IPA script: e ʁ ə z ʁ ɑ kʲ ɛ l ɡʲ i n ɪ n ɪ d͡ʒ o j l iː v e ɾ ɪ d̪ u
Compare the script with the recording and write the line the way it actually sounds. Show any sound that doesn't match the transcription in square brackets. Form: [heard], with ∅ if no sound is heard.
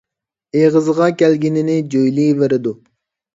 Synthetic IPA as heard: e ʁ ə z ʁ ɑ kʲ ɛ l ɡʲ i n ɪ n ɪ d͡ʒ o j l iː v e ɾ ɪ d̪ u